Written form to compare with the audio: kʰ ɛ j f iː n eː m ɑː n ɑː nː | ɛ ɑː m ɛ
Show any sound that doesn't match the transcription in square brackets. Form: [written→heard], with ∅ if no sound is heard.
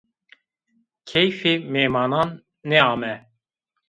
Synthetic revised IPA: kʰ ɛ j f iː [n→m] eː m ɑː n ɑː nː | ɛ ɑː m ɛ